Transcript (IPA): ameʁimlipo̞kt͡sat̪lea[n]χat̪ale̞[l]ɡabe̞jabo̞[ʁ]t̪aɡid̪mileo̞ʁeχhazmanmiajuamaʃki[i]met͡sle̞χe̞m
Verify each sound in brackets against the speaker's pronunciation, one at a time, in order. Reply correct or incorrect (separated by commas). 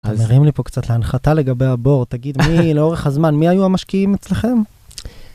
correct, incorrect, correct, correct